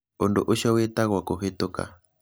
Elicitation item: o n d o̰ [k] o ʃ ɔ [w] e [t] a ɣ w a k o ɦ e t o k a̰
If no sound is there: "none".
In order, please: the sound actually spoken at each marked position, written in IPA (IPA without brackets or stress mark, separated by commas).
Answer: ʔ, w, t